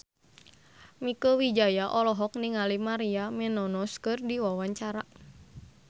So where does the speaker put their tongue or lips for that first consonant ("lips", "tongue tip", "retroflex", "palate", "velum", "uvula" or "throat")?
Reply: lips